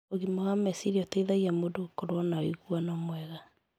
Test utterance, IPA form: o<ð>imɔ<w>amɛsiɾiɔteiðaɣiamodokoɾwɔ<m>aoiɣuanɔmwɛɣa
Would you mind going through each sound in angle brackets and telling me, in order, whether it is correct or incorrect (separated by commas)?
incorrect, incorrect, incorrect